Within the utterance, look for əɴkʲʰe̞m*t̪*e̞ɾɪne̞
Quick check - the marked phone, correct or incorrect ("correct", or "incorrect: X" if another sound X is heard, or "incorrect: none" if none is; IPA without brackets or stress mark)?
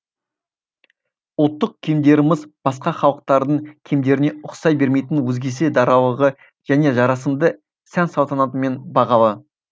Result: incorrect: d̪